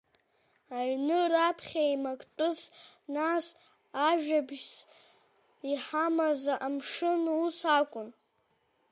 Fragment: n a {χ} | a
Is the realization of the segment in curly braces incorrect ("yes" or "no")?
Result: yes